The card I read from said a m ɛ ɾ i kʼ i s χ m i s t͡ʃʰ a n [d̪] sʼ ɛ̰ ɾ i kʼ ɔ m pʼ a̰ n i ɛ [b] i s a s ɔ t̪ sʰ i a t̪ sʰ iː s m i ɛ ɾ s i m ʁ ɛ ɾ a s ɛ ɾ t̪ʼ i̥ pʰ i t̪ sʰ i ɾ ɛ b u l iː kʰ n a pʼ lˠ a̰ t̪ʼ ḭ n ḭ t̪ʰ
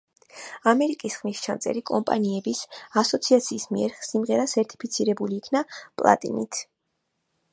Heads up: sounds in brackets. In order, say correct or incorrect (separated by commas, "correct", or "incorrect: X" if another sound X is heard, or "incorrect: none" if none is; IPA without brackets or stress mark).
incorrect: t̪, correct